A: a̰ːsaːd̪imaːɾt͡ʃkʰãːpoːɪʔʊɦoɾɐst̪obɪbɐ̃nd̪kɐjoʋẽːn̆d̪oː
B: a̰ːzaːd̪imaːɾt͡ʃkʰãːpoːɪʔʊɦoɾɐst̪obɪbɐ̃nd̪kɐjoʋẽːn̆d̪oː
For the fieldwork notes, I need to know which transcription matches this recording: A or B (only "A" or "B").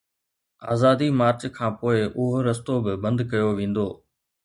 B